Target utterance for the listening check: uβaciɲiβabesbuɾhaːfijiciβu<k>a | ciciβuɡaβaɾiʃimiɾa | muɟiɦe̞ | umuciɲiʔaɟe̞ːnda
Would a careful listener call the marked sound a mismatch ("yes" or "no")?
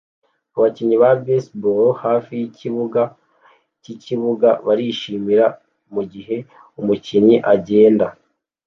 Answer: yes